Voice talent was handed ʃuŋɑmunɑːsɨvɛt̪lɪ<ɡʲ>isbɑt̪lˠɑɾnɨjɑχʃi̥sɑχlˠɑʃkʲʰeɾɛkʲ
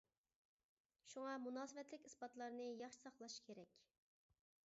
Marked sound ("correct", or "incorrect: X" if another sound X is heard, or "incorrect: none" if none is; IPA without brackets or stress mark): incorrect: kʲ